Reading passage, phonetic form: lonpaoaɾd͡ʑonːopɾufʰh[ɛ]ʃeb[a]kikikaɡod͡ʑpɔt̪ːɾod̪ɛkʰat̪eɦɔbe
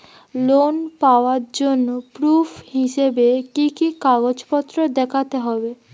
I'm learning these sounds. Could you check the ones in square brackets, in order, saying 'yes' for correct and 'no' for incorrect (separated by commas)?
no, no